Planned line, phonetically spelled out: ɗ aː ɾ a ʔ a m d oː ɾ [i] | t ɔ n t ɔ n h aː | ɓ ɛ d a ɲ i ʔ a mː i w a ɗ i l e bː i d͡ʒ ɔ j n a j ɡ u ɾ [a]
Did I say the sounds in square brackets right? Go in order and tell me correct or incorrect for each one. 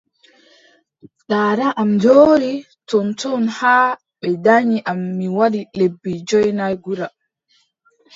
correct, correct

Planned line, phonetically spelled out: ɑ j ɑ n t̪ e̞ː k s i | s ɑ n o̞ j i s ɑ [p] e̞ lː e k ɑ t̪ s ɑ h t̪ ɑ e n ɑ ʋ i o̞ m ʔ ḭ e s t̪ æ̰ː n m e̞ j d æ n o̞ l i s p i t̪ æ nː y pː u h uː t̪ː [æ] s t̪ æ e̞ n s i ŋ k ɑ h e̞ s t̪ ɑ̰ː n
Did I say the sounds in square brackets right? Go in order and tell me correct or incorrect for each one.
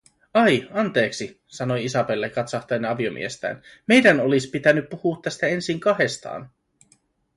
correct, correct

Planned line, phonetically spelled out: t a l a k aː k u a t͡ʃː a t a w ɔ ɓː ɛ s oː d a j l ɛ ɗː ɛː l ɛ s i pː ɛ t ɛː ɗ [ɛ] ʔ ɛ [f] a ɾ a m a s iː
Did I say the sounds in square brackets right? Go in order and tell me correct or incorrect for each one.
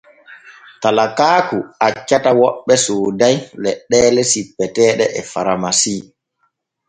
correct, correct

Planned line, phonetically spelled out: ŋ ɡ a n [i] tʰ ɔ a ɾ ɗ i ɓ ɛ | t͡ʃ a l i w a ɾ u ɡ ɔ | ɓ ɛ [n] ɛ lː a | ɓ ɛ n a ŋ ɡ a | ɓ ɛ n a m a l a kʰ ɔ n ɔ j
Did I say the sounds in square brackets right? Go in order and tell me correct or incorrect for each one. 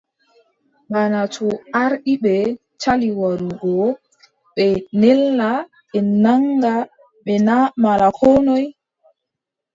incorrect: a, correct

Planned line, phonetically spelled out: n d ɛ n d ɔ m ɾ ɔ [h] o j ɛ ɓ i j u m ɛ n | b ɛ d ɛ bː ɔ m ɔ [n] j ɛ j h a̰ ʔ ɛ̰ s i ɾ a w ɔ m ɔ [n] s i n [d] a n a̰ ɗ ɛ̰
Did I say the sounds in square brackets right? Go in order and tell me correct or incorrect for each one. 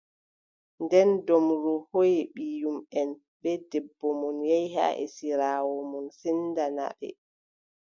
correct, correct, correct, correct

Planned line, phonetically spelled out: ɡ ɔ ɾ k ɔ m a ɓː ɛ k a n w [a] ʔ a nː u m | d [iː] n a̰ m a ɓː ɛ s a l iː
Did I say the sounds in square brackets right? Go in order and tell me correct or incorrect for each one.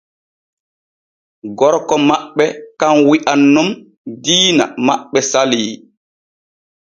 incorrect: i, correct

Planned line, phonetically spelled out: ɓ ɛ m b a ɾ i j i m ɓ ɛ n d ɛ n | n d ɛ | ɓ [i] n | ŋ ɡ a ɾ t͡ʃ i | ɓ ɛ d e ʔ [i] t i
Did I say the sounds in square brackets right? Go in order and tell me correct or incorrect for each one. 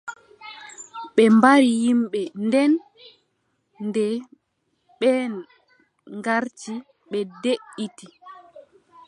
incorrect: ɛ, correct

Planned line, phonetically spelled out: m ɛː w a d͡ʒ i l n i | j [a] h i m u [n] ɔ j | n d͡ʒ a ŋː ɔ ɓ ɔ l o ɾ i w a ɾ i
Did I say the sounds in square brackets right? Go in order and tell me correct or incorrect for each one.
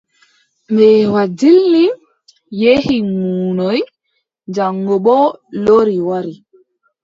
incorrect: e, correct

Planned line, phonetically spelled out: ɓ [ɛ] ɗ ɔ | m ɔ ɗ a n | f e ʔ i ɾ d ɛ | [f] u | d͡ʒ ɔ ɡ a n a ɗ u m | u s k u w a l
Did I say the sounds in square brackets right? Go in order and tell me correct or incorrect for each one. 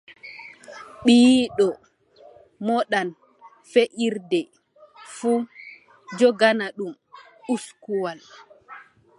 incorrect: i, correct

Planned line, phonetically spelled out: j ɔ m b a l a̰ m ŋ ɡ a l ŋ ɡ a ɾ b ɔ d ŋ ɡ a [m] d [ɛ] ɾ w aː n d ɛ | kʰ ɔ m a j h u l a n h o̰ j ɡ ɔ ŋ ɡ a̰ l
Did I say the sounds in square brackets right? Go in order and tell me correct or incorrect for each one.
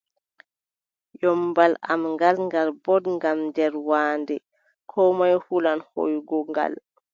correct, correct

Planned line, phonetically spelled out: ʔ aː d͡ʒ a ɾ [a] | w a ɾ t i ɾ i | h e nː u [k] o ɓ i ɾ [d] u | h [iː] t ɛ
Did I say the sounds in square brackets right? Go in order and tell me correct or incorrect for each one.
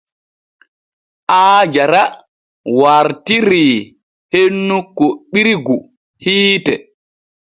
correct, correct, incorrect: ɡ, correct

